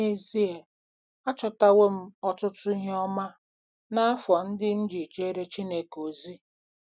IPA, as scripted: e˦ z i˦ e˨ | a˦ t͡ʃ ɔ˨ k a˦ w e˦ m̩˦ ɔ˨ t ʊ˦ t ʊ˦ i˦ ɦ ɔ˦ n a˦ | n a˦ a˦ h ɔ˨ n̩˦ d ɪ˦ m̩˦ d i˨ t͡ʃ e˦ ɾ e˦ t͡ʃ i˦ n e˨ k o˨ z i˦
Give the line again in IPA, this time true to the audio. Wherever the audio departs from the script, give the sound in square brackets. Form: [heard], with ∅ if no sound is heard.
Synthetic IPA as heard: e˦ z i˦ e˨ | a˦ t͡ʃ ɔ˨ [t] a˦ w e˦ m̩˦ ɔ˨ t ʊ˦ t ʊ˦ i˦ ɦ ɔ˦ [m] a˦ | n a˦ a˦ [f] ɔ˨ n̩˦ d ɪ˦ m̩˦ [d͡ʒ] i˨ t͡ʃ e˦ ɾ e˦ t͡ʃ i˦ n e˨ k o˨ z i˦